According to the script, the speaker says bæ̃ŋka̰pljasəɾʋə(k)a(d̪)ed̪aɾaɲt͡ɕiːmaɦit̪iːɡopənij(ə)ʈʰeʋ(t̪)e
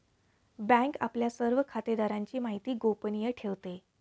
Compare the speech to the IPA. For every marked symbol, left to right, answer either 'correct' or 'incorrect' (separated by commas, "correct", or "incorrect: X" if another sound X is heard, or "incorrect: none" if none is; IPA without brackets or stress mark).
incorrect: kʰ, incorrect: t̪, correct, correct